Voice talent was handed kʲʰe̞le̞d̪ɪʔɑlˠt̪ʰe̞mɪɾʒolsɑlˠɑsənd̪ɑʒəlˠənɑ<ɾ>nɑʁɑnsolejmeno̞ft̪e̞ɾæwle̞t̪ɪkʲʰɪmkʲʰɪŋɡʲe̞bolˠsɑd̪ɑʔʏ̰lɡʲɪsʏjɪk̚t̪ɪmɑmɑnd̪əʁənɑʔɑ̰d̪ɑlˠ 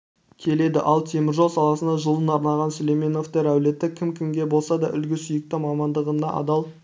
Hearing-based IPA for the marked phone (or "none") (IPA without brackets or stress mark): ɾ